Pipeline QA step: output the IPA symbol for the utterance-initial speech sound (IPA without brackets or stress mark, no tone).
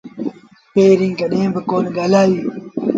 p